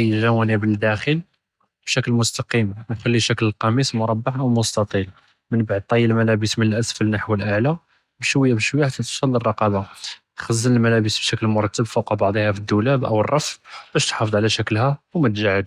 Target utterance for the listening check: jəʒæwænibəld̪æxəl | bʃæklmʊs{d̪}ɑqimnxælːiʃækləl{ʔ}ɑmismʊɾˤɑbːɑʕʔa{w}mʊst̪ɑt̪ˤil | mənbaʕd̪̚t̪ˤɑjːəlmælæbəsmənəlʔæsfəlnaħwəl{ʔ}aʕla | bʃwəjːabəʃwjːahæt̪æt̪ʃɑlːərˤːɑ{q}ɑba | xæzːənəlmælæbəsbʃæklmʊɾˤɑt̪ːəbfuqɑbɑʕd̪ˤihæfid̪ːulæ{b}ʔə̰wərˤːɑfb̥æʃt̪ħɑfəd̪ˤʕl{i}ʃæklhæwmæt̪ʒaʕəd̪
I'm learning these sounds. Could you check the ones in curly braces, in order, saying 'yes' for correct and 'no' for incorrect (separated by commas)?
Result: no, no, yes, yes, yes, yes, no